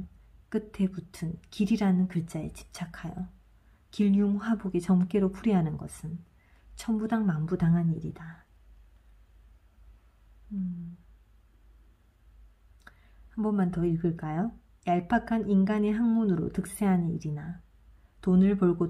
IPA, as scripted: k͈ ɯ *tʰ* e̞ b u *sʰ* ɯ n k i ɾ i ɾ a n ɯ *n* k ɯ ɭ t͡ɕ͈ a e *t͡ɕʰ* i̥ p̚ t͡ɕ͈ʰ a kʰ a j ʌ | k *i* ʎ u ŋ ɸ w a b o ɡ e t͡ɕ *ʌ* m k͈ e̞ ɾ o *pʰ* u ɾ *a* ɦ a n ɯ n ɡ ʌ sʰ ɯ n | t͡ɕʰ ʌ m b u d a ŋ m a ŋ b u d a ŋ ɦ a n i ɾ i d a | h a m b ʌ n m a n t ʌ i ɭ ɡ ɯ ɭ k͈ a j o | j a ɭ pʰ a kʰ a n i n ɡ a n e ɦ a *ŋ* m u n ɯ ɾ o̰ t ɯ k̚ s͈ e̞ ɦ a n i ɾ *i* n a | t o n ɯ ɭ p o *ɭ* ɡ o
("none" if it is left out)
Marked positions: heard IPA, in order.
tʰ, tʰ, n, t͡ɕ, i, ʌ, pʰ, i, ŋ, i, ɭ

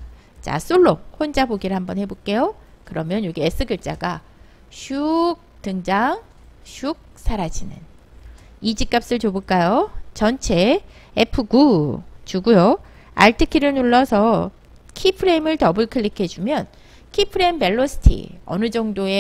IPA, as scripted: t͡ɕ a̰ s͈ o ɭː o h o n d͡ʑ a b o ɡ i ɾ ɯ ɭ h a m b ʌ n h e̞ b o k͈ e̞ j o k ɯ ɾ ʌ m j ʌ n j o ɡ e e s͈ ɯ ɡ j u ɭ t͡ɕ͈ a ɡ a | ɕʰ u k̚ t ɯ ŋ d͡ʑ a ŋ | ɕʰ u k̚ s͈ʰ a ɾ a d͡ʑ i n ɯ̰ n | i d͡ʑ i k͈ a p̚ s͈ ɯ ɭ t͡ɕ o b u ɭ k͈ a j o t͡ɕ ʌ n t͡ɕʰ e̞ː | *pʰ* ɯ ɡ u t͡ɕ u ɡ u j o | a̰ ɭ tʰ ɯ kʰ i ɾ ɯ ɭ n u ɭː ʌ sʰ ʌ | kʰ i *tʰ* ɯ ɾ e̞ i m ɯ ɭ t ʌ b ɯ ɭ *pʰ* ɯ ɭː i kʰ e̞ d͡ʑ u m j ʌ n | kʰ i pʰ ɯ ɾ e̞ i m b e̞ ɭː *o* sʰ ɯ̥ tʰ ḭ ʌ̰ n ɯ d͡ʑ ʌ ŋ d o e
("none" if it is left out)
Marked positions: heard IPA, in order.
pʰ, pʰ, kʰ, o

